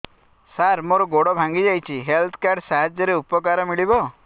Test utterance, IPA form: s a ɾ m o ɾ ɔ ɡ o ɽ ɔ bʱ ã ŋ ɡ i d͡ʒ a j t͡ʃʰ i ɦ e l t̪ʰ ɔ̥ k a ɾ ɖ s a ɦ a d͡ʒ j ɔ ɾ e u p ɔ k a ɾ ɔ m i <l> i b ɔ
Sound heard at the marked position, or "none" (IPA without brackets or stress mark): ɭ